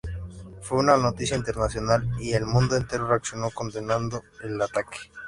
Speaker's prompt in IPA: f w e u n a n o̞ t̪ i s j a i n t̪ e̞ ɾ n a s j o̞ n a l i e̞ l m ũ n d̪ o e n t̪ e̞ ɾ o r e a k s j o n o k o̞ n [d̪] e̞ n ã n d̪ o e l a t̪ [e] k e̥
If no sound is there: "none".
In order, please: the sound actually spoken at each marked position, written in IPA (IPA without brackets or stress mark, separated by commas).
d̪, a